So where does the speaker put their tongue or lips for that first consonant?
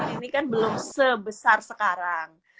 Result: tongue tip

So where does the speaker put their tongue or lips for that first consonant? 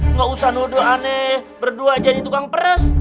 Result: velum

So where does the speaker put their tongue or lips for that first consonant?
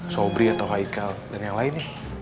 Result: tongue tip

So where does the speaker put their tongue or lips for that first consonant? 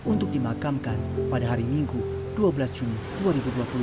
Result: tongue tip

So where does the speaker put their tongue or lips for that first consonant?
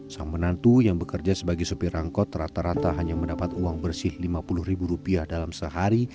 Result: tongue tip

